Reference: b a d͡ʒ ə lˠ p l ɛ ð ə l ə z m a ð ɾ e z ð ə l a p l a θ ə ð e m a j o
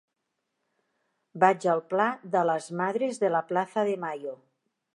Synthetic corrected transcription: b a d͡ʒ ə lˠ p l a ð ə l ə z m a ð ɾ e z ð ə l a p l a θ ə ð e m a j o